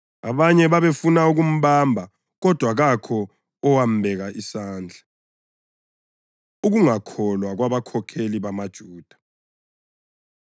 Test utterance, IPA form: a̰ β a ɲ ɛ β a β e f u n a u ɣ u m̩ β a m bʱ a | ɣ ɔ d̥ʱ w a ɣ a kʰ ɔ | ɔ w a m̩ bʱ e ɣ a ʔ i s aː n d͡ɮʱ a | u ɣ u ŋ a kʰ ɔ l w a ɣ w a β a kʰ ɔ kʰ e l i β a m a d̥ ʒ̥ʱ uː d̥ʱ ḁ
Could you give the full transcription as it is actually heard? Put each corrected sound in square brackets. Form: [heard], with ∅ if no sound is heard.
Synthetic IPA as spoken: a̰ β a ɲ ɛ β a β e f u n a u ɣ u m̩ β a m bʱ a | ɣ ɔ d̥ʱ w a ɣ a kʰ ɔ | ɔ w a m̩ bʱ [ɛ] ɣ a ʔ i s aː n d͡ɮʱ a | u ɣ u ŋ a kʰ ɔ l w a ɣ w a β a kʰ ɔ kʰ e l i β a m a d̥ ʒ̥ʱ uː d̥ʱ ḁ

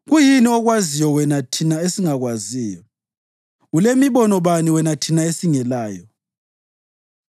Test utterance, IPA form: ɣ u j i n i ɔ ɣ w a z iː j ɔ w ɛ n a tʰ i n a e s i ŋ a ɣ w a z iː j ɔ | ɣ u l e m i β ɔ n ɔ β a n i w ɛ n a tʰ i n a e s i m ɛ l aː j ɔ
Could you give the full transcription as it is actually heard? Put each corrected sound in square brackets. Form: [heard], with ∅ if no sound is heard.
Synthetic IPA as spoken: ɣ u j i n i ɔ ɣ w a z [i] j ɔ w ɛ n a tʰ i n a e s i ŋ a ɣ w a z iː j ɔ | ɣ u l e m i β ɔ n ɔ β a n i w ɛ n a tʰ i n a e s i [ŋ] ɛ l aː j ɔ

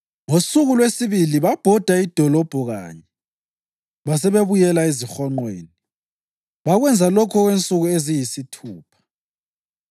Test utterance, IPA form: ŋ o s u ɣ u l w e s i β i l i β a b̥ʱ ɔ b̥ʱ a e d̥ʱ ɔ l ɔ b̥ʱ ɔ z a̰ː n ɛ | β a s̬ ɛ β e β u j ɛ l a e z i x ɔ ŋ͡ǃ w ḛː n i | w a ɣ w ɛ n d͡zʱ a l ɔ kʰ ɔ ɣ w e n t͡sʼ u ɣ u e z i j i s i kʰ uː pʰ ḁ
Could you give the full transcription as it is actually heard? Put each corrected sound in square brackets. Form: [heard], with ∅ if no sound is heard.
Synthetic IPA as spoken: ŋ o s u ɣ u l w e s i β i l i β a b̥ʱ ɔ [d̥ʱ] a [i] d̥ʱ ɔ l ɔ b̥ʱ ɔ [ɣ] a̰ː [ɲ] ɛ | β a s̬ ɛ β e β u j ɛ l a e z i x ɔ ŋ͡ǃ w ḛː n i | [β] a ɣ w ɛ n d͡zʱ a l ɔ kʰ ɔ ɣ w e n t͡sʼ u ɣ u e z i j i s i [tʰ] uː pʰ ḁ

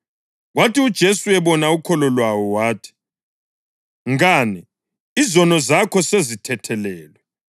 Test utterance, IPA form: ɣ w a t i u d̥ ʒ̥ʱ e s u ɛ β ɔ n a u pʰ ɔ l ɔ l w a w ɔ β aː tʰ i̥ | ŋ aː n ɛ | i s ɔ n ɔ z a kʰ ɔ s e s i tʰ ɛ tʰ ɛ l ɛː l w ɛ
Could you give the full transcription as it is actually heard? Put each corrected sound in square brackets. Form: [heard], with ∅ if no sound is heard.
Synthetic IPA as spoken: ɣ w a t i u d̥ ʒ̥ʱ e s u ɛ β ɔ n a u [kʰ] ɔ l ɔ l w a w ɔ [w] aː tʰ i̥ | ŋ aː n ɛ | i [z] ɔ n ɔ z a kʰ ɔ s e [z] i tʰ ɛ tʰ ɛ l ɛː l w ɛ

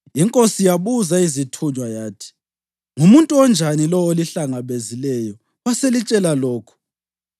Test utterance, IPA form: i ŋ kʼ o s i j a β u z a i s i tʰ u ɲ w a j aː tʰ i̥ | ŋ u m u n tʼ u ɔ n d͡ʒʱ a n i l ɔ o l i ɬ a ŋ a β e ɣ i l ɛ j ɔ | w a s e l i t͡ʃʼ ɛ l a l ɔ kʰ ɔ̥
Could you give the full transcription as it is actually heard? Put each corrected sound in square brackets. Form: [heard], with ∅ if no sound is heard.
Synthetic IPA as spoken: i ŋ kʼ o s i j a β u z a i [z] i tʰ u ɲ w a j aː tʰ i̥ | ŋ u m u n tʼ u ɔ n d͡ʒʱ a n i l ɔ o l i ɬ a ŋ a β e [z] i l ɛ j ɔ | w a s e l i t͡ʃʼ ɛ l a l [ɔː] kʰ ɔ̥

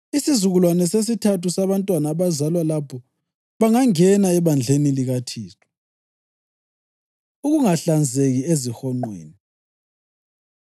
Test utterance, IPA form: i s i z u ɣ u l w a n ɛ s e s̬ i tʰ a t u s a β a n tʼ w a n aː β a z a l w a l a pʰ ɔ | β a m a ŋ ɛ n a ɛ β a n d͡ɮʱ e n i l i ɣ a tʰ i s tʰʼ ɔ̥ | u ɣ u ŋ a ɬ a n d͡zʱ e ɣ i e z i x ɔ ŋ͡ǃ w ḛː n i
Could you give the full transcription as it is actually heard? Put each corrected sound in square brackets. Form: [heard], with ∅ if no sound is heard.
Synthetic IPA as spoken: i s i z u ɣ u l w a n ɛ s e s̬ i tʰ a t u s a β a n tʼ w a n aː β a z a l w a l a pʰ ɔ | β a [ŋ] a ŋ ɛ n a ɛ β a n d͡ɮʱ e n i l i ɣ a tʰ [iː] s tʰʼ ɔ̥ | u ɣ u ŋ a ɬ a n d͡zʱ e ɣ i e z i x ɔ ŋ͡ǃ w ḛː n i

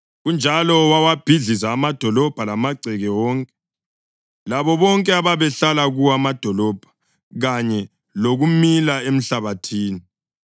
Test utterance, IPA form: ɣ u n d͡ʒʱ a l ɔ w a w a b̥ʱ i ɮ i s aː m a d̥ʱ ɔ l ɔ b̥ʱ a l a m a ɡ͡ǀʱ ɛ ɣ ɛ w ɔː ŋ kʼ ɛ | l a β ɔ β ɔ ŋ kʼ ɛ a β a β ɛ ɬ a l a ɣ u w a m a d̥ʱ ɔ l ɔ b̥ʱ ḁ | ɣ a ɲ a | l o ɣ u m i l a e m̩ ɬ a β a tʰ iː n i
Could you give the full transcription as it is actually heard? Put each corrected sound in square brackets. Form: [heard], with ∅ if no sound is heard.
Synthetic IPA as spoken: ɣ u n d͡ʒʱ a l ɔ w a w a b̥ʱ i ɮ i [z] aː m a d̥ʱ ɔ l ɔ b̥ʱ a l a m a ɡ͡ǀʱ ɛ ɣ ɛ w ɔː ŋ kʼ ɛ | l a β ɔ β ɔ ŋ kʼ ɛ a β a β ɛ ɬ a l a ɣ u w a m a d̥ʱ ɔ l ɔ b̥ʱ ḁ | ɣ a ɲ [ɛ] | l o ɣ u m i l a e m̩ ɬ a β a tʰ iː n i

